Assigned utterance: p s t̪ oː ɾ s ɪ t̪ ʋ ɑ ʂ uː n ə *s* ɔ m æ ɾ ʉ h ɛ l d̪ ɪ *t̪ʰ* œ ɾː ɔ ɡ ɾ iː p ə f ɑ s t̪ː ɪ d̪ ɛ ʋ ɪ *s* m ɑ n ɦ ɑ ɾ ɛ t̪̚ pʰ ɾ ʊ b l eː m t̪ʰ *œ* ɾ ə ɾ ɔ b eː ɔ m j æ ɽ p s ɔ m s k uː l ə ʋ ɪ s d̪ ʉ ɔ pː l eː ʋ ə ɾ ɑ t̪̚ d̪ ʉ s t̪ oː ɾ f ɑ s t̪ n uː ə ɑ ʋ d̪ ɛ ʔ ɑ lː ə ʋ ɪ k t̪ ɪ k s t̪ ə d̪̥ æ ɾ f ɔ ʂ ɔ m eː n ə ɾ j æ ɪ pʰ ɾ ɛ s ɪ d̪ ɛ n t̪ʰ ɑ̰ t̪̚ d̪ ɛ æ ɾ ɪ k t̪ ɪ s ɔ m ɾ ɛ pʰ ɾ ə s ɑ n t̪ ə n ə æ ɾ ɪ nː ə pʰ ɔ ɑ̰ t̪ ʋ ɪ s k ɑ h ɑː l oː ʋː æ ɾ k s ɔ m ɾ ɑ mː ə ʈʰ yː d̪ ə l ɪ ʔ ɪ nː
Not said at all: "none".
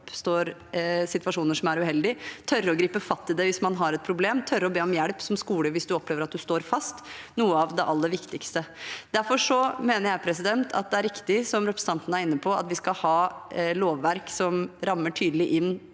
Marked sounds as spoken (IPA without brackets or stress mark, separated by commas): ʂ, t̪ʰ, s, œ